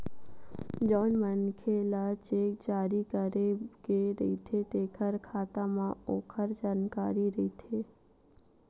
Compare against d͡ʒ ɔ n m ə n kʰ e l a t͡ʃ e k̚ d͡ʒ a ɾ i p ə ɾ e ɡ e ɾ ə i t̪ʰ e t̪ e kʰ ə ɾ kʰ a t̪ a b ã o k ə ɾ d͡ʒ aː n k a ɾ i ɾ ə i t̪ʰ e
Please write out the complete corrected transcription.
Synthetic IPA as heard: d͡ʒ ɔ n m ə n kʰ e l a t͡ʃ e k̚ d͡ʒ a ɾ i k ə ɾ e ɡ e ɾ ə i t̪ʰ e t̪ e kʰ ə ɾ kʰ a t̪ a m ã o kʰ ə ɾ d͡ʒ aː n k a ɾ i ɾ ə i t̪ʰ e